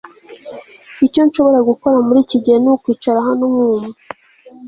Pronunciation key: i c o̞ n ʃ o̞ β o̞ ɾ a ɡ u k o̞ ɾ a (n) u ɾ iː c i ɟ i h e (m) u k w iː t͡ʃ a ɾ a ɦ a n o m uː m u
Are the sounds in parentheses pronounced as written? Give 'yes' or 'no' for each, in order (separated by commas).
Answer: no, no